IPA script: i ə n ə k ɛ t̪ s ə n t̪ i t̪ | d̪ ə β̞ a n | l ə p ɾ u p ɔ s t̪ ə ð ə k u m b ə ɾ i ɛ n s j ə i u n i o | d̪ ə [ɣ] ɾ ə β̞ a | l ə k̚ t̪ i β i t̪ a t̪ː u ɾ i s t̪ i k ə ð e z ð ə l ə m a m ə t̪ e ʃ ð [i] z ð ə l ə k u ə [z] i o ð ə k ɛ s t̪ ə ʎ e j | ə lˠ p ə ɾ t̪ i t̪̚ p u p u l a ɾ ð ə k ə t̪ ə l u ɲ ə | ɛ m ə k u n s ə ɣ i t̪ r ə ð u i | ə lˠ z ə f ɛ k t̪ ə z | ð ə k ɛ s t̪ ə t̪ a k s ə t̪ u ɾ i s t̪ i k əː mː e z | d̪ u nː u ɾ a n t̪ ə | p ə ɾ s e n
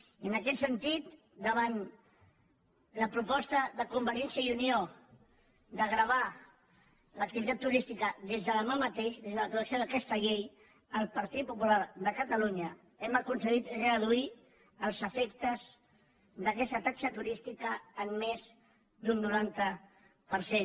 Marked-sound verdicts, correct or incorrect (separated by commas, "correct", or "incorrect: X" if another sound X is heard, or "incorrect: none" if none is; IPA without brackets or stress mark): correct, incorrect: e, incorrect: s